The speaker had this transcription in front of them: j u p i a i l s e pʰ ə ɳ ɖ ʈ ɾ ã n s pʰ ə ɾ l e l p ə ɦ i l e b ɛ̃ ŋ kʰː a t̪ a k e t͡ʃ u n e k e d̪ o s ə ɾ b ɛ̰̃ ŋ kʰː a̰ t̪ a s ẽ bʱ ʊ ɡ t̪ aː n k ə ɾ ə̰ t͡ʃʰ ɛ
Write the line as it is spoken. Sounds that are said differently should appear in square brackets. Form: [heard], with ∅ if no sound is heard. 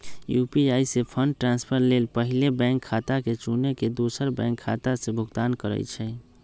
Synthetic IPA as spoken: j u p i a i [∅] s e pʰ ə ɳ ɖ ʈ ɾ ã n s pʰ ə ɾ l e l p ə ɦ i l e b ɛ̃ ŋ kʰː a t̪ a k e t͡ʃ u n e k e d̪ o s ə ɾ b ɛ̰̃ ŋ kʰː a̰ t̪ a s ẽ bʱ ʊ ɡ t̪ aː n k ə ɾ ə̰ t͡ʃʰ ɛ